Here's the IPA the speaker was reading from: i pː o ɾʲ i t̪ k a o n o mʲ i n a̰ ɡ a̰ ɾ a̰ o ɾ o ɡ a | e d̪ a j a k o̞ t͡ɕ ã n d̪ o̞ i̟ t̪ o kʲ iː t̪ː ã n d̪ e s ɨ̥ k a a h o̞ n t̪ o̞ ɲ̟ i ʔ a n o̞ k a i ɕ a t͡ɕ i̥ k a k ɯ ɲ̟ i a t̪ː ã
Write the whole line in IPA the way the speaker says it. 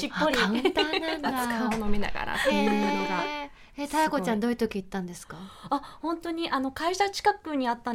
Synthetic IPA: i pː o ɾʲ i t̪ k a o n o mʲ i n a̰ ɡ a̰ ɾ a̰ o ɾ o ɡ a | e t̪ a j a k o̞ t͡ɕ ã n d̪ o̞ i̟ t̪ o kʲ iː t̪ː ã n d̪ e s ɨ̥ k a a h õ̞ n t̪ o̞ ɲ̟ i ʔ a n o̞ k a i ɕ a t͡ɕ i̥ k a k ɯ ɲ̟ i a t̪ː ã